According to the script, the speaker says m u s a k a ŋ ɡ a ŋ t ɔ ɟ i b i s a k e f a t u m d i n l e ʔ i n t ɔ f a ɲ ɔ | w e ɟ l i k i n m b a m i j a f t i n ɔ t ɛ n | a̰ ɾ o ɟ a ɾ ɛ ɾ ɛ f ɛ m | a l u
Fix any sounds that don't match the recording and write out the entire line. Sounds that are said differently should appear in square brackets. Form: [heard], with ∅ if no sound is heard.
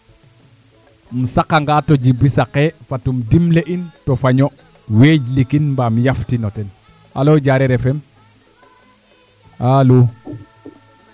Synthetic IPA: m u s a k a ŋ ɡ a [∅] t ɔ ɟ i b i s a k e f a t u m d i [m] l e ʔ i n t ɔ f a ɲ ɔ | w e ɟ l i k i n m b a m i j a f t i n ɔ t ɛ n | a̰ [l] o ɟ a ɾ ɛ ɾ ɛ f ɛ m | a l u

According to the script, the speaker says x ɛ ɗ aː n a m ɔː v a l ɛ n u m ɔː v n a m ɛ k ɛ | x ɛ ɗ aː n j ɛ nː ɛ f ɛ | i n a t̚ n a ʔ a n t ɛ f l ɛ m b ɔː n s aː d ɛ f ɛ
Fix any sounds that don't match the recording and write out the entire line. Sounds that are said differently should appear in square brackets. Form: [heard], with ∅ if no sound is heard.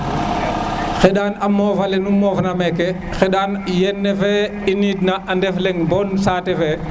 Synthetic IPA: x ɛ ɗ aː n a m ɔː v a l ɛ n u m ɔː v n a m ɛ k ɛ | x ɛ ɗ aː n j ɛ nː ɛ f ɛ | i n [i] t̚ n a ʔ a n [d] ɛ f l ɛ [ŋ] b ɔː n s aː [t] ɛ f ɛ

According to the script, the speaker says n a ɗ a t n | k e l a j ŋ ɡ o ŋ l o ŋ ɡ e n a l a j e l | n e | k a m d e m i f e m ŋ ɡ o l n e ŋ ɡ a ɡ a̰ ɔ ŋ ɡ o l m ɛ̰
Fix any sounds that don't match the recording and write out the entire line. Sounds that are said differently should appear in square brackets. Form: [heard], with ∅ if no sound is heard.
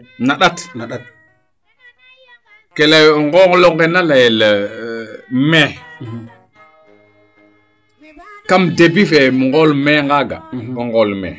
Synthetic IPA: n a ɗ a t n | k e l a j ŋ ɡ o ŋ l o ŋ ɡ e n a l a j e l | [m] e | k a m d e [b] i f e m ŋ ɡ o l [m] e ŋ ɡ a ɡ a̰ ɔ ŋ ɡ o l m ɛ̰

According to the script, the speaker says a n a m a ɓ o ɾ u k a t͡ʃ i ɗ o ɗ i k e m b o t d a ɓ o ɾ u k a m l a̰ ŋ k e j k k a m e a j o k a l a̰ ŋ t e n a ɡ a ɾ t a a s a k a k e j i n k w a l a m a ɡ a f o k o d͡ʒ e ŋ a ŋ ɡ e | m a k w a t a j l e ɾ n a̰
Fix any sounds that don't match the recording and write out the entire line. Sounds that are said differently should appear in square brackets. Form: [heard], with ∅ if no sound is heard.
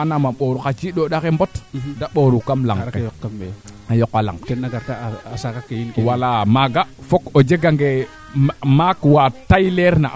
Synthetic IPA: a n a m a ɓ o ɾ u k a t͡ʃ i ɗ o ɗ [a] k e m b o t d a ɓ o ɾ u k a m l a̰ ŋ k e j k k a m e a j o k a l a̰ ŋ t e n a ɡ a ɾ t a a s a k a k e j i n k w a l a m a ɡ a f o k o d͡ʒ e [ɡ] a ŋ ɡ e | m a k w a t a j l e ɾ n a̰

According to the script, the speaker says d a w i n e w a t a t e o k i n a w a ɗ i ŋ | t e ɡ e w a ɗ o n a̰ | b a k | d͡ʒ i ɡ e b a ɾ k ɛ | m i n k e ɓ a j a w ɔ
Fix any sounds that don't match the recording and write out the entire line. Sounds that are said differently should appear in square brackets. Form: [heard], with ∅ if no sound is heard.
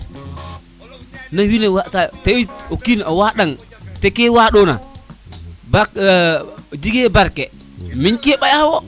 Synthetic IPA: [n] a w i n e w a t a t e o k i n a w a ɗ [a] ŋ | t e [k] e w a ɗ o n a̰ | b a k | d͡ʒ i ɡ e b a ɾ k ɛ | m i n k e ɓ a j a w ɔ

